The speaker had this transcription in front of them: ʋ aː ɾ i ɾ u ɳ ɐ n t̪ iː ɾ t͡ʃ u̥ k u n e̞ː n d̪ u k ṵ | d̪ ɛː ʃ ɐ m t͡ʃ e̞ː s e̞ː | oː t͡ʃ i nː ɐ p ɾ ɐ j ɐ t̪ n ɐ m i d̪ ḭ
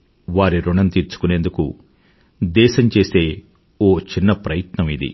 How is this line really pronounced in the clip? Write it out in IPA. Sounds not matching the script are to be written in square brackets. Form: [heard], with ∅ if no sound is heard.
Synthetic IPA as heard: ʋ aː ɾ i ɾ u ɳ ɐ n t̪ iː ɾ t͡ʃ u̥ k u n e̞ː n d̪ u k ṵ | d̪ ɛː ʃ ɐ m t͡ʃ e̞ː s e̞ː | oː t͡ʃ i nː ɐ p ɾ ɐ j ɐ t̪ n ɐ m i d̪ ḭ

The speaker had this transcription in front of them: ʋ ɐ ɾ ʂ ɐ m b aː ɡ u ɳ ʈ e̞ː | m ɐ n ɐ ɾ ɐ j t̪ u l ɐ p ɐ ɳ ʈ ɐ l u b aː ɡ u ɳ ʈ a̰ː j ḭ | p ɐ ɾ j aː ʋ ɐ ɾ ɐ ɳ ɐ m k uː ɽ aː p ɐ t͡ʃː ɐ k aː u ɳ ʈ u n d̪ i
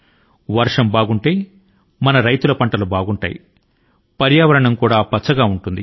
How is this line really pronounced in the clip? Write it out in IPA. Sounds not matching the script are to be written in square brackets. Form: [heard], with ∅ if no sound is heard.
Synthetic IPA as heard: ʋ ɐ ɾ ʂ ɐ m b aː ɡ u ɳ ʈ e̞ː | m ɐ n ɐ ɾ ɐ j t̪ u l ɐ p ɐ ɳ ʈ ɐ l u b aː ɡ u ɳ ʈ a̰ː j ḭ | p ɐ ɾ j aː ʋ ɐ ɾ ɐ ɳ ɐ m k uː ɽ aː p ɐ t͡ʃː ɐ [ɡ] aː u ɳ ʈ u n d̪ i

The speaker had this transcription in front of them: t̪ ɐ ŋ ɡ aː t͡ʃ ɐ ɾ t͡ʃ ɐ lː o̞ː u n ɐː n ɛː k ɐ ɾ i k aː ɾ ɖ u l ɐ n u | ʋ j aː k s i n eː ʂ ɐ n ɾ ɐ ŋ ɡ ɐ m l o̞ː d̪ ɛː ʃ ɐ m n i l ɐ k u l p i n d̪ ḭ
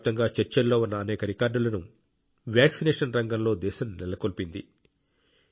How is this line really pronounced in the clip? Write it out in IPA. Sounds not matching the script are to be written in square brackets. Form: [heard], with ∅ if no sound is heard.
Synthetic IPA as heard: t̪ ɐ ŋ ɡ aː t͡ʃ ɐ ɾ t͡ʃ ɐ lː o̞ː u [nː] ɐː n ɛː k ɐ ɾ i k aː ɾ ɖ u l ɐ n u | ʋ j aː k s i n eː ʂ ɐ n ɾ ɐ ŋ ɡ ɐ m l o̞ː d̪ ɛː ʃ ɐ m n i l ɐ k [o] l p i n d̪ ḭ

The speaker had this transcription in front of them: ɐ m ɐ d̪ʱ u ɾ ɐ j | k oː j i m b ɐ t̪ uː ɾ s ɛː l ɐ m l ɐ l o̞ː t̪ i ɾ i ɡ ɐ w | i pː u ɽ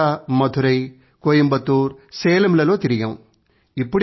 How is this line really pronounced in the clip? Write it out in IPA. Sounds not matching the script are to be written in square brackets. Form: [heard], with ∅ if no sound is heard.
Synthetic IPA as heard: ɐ m ɐ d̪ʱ u ɾ ɐ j | k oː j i m b ɐ t̪ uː ɾ s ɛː l ɐ m l ɐ l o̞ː t̪ i ɾ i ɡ ɐ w | i pː u ɽ

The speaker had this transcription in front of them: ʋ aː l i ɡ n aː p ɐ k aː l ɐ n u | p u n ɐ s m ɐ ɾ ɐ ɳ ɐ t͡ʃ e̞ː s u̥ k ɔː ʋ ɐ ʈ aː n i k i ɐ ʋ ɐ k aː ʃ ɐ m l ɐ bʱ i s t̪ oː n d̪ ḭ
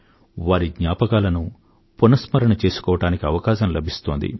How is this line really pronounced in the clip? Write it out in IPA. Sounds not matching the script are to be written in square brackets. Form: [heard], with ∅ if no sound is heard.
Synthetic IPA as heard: ʋ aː [ɾ] i ɡ [ɲ] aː p ɐ k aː l ɐ n u | p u n ɐ s m ɐ ɾ ɐ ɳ ɐ t͡ʃ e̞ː s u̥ k ɔː ʋ ɐ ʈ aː n i k i ɐ ʋ ɐ k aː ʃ ɐ m l ɐ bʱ i s t̪ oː n d̪ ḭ

